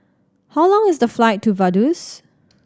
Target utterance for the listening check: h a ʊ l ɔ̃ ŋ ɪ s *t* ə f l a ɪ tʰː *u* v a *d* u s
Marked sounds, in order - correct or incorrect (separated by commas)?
incorrect, correct, correct